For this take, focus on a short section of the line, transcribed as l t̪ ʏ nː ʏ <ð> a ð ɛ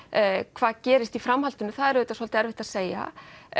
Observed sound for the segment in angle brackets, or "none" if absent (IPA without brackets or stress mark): θ